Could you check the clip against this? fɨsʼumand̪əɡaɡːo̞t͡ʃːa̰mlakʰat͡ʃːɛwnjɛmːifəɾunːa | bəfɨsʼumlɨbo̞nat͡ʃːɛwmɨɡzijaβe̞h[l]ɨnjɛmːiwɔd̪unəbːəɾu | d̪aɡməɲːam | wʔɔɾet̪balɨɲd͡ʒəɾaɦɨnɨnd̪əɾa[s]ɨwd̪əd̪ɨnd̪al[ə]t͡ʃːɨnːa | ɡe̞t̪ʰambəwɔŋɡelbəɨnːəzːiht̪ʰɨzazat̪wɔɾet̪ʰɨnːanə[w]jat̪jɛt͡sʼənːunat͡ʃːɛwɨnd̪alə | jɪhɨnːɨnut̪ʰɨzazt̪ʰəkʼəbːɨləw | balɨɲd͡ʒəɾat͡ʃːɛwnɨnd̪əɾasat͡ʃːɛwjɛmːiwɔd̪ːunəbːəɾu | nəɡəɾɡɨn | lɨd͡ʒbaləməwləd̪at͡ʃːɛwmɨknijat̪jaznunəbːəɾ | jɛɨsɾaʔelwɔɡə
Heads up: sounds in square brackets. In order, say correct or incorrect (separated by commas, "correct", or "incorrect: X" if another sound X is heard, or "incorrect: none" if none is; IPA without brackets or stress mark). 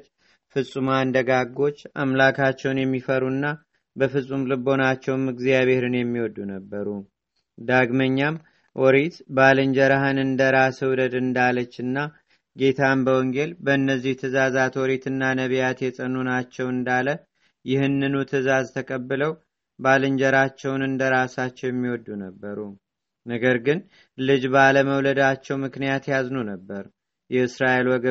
incorrect: ɾ, correct, correct, incorrect: β